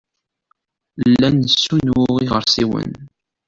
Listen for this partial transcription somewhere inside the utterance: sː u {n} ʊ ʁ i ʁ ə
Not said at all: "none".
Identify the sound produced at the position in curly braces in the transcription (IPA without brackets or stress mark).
n